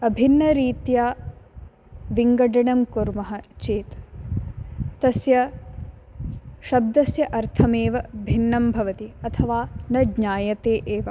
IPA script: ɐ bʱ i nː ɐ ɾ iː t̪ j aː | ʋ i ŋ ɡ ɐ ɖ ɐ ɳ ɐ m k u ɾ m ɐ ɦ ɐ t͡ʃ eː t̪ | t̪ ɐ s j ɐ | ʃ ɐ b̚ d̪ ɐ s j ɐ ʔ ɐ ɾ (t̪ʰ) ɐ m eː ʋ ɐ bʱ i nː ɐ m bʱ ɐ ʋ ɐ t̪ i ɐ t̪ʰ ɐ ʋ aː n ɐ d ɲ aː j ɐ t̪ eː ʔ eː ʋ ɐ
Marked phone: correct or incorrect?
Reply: correct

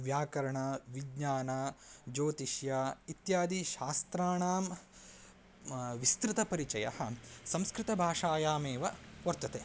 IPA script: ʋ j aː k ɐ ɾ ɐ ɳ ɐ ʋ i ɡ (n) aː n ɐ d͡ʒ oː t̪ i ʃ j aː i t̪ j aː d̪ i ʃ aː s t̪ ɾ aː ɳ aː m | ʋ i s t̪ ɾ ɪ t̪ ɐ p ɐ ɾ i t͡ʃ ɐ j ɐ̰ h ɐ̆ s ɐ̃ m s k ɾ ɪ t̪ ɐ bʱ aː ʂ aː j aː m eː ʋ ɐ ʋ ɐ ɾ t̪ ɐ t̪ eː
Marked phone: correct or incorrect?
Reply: incorrect: ɲ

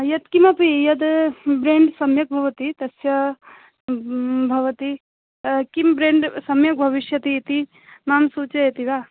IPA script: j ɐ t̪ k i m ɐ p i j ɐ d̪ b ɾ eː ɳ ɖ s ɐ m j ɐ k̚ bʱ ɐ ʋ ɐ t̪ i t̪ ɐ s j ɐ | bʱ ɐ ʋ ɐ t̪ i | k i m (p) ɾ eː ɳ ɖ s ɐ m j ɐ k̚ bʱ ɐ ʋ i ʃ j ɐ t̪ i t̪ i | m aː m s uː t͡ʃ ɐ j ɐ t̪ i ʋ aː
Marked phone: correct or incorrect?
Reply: incorrect: b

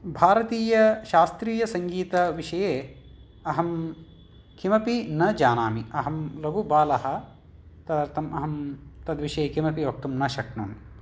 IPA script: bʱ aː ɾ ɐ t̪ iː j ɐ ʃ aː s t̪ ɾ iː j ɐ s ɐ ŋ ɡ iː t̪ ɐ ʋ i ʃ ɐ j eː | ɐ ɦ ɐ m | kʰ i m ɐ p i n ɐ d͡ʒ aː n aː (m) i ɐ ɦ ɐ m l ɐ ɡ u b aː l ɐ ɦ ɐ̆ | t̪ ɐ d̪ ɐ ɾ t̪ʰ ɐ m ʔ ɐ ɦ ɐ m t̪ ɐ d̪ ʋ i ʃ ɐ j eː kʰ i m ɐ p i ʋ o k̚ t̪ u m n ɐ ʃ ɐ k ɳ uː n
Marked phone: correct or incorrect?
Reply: correct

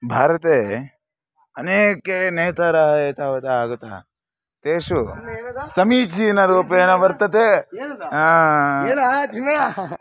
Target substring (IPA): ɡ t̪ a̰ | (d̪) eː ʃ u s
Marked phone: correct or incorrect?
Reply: incorrect: t̪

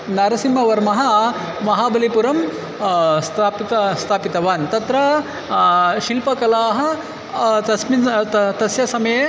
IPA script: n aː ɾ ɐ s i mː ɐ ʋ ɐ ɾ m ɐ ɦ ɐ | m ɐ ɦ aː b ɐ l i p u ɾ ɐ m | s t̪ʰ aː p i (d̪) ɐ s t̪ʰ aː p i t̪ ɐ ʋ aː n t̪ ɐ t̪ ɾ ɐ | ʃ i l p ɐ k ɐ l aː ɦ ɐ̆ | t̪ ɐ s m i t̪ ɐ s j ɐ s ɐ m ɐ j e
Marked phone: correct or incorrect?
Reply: incorrect: t̪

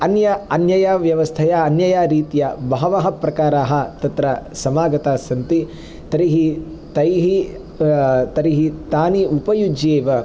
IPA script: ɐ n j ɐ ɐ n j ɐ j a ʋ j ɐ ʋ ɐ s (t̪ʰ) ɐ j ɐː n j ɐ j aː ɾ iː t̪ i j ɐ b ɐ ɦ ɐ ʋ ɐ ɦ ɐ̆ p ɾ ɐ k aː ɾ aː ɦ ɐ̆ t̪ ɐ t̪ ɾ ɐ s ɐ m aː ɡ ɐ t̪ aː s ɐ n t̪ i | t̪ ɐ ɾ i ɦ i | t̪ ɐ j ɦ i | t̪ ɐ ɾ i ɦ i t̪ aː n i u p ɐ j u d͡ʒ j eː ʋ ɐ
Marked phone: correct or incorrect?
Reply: correct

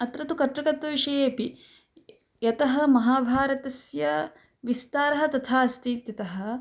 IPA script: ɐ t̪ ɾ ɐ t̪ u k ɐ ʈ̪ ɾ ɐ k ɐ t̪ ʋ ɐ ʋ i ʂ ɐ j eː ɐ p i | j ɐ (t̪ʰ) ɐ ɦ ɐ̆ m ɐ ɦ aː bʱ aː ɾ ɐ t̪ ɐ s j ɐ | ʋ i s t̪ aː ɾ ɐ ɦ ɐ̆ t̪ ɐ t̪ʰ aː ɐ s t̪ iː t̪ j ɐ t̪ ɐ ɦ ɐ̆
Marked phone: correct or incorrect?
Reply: incorrect: t̪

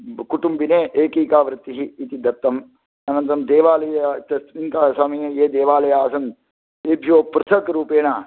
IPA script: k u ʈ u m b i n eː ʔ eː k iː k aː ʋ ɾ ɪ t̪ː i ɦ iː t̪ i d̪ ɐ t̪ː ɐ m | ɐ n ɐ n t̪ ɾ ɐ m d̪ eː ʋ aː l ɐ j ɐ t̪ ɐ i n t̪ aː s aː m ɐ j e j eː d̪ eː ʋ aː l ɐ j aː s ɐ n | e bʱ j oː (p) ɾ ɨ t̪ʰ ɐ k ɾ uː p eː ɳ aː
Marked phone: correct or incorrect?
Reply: correct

